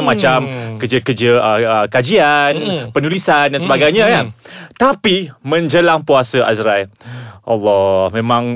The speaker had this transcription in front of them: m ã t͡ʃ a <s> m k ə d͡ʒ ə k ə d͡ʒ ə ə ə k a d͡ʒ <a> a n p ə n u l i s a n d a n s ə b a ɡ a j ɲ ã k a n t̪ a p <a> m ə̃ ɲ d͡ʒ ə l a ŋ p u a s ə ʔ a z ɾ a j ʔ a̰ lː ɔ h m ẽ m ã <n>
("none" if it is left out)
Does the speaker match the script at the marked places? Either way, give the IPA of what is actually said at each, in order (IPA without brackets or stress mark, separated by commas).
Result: none, i, i, ŋ